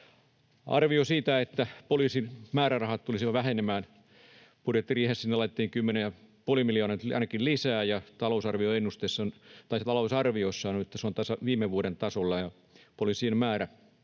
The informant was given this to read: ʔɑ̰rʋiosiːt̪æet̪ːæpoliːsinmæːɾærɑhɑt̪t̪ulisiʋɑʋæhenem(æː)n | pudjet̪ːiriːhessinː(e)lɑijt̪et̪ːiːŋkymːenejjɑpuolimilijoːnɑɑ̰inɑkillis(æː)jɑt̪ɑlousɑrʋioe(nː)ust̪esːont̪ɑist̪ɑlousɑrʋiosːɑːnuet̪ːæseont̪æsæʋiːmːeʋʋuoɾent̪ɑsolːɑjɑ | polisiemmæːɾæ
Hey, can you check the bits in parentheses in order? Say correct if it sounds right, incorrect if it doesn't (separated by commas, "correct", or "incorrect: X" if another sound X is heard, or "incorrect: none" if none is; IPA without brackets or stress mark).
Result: correct, correct, correct, correct